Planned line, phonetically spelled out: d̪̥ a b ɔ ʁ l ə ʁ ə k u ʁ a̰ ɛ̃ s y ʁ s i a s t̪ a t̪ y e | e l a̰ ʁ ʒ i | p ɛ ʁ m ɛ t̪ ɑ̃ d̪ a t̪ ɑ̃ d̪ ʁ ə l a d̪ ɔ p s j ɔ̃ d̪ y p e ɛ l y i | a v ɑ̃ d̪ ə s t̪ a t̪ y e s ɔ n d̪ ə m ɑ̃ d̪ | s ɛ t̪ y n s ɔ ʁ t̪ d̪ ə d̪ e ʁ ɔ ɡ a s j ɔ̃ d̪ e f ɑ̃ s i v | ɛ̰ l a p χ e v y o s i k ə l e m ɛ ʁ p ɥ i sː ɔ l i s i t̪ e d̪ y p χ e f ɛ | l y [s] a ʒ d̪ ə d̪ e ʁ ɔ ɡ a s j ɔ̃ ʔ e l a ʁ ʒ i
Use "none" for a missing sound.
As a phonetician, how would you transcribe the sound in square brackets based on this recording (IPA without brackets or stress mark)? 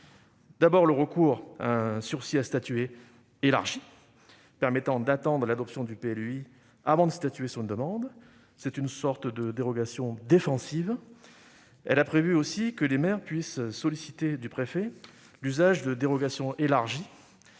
z